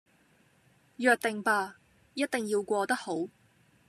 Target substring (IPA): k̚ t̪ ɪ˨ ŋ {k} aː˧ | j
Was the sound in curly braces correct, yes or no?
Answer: no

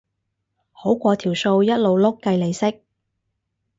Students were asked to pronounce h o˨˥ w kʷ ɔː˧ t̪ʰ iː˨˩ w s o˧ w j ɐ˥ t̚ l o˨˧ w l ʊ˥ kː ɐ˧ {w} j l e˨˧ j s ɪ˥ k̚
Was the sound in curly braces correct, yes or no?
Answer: no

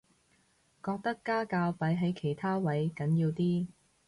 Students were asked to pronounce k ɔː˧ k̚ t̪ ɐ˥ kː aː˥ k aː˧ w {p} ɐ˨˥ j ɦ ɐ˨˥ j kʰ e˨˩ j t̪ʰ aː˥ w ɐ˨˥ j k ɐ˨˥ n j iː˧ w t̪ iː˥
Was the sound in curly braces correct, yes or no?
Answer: yes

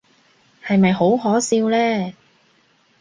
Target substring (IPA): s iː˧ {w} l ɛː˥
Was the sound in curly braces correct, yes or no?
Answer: yes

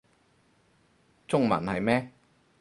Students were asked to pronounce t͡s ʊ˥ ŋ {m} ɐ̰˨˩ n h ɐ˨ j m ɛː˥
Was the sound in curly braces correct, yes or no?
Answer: yes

